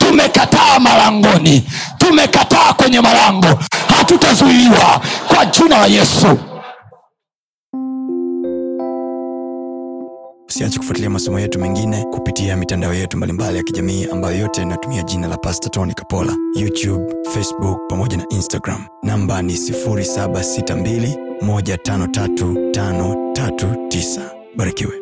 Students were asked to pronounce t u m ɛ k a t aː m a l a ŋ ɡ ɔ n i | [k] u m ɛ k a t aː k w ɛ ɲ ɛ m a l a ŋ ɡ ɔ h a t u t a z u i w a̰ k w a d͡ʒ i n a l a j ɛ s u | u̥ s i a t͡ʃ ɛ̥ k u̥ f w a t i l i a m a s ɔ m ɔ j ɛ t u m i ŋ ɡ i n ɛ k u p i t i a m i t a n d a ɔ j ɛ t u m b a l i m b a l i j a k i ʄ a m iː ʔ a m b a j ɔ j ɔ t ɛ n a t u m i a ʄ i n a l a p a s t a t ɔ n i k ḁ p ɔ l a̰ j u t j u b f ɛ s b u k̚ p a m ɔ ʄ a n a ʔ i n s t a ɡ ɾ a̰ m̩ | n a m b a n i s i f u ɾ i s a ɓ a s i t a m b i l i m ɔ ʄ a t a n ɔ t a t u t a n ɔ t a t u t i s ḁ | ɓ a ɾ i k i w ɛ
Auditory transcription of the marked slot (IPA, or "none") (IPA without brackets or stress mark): t